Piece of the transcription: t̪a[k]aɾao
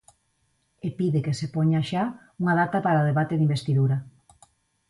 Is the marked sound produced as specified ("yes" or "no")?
no